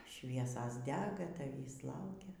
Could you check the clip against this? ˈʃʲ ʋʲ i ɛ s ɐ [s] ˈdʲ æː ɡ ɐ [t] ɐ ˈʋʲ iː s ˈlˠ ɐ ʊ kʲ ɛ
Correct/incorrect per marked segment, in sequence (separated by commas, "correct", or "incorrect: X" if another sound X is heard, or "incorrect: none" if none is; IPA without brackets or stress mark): correct, correct